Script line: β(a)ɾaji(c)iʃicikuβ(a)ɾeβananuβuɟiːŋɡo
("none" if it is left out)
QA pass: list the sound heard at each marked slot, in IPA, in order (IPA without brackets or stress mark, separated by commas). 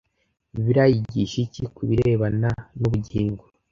i, ɟ, i